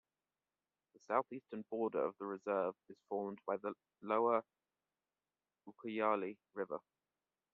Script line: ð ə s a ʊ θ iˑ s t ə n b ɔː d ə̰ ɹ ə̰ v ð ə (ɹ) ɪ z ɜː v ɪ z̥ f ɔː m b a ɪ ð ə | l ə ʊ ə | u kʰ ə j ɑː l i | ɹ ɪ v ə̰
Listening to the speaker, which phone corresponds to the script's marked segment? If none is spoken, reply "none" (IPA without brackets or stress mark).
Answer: ɹ